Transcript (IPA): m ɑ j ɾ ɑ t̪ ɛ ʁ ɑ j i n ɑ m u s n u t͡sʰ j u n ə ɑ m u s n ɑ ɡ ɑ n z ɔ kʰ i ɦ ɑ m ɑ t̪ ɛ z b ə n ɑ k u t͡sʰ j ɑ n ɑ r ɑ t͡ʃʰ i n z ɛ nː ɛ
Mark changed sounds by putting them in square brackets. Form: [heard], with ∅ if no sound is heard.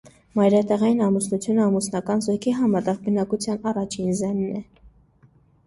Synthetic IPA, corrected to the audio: m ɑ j ɾ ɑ t̪ ɛ ʁ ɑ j i n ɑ m u s n u t͡sʰ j u n ə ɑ m u s n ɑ [k] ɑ n z ɔ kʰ i ɦ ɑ m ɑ t̪ ɛ [ʁ] b ə n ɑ k u t͡sʰ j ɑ n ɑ r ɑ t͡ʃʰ i n z ɛ nː ɛ